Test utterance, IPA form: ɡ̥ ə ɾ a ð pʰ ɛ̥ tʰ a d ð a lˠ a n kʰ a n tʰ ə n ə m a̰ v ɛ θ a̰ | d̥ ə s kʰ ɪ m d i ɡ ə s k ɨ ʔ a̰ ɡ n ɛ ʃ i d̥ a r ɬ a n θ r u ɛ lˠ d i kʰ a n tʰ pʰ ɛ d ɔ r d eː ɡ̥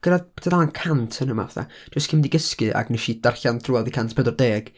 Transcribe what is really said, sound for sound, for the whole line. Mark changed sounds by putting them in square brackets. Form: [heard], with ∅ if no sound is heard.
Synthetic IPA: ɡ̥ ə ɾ a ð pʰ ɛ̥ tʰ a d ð a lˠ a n kʰ a n tʰ ə n ə m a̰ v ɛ θ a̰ | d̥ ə s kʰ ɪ m d i ɡ ə s k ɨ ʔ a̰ ɡ n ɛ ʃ i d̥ a r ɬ a n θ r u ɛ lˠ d i kʰ a n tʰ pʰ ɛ d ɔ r d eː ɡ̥